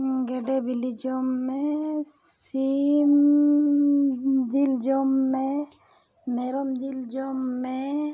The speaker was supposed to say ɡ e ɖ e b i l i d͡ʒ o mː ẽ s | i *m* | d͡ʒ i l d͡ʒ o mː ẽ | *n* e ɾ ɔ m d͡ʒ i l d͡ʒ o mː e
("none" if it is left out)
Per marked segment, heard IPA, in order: m, m

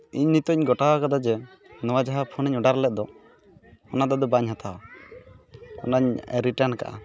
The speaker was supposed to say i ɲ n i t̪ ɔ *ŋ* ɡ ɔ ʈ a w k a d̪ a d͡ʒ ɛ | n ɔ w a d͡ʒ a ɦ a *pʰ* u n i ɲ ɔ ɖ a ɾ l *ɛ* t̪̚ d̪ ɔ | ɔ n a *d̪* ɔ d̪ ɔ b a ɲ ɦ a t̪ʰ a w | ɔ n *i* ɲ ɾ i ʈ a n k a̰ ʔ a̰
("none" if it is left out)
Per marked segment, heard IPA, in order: ɲ, pʰ, ɛ, d̪, a

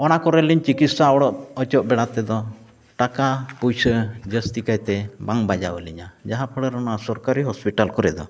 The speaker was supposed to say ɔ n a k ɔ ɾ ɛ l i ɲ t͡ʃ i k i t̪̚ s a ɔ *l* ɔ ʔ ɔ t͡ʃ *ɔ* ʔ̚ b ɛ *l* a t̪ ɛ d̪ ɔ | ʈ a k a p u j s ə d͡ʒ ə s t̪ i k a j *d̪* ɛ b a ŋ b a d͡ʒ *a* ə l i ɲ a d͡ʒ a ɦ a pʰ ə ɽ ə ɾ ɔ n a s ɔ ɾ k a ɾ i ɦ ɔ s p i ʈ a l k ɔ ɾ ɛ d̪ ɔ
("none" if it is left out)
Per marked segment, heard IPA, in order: ɽ, ɔ, ɽ, t̪, a

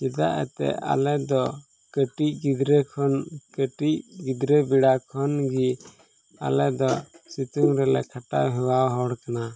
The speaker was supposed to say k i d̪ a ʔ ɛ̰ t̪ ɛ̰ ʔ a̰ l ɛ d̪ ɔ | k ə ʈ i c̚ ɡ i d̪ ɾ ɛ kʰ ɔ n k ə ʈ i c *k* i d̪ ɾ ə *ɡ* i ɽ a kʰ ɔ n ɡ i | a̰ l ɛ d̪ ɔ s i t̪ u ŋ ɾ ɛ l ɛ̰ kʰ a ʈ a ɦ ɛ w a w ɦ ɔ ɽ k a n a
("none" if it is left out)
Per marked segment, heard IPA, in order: ɡ, b

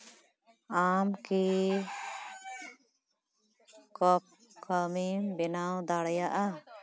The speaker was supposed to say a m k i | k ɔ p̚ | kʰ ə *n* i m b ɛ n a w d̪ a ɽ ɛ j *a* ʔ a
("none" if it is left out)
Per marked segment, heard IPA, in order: m, a

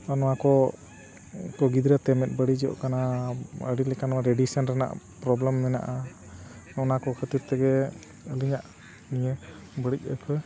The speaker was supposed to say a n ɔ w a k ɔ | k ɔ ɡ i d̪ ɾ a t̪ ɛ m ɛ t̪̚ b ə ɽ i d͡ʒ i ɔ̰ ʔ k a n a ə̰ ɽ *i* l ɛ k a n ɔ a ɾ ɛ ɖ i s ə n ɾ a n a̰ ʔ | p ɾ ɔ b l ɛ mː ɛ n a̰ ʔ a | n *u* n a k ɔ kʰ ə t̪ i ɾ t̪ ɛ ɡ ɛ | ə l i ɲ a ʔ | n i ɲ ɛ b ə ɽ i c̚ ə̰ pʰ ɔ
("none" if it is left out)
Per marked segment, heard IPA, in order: i, ɔ

